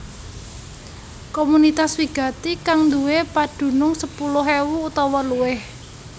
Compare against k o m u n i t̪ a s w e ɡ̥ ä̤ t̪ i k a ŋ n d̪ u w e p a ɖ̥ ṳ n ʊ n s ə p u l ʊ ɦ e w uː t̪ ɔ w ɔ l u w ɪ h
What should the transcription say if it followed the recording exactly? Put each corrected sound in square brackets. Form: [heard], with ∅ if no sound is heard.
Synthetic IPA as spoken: k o m u n i t̪ a s w [i] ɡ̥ ä̤ t̪ i k a ŋ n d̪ u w e p a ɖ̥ ṳ n ʊ [ŋ] s ə p u l ʊ ɦ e w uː t̪ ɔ w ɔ l u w ɪ h

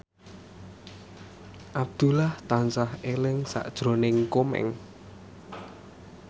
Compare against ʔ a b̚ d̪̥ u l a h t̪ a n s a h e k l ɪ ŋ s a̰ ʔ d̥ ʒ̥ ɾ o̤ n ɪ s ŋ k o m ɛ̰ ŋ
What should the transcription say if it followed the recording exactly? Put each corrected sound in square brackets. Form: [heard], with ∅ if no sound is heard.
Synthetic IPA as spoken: ʔ a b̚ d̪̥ u l a h t̪ a n s a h e [∅] l ɪ ŋ s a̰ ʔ d̥ ʒ̥ ɾ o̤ n ɪ [∅] ŋ k o m ɛ̰ ŋ

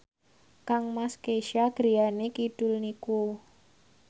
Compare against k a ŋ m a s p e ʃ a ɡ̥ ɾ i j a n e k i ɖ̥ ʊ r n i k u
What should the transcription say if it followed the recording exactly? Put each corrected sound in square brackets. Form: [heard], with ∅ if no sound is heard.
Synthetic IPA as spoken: k a ŋ m a s [k] e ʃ a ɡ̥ ɾ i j a n e k i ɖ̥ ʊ [l] n i k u

